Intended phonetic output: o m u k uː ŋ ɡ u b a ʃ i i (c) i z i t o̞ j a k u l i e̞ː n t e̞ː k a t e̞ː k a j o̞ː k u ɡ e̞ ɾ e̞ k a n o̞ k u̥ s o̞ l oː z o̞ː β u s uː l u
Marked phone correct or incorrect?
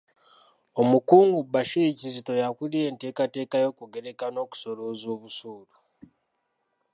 correct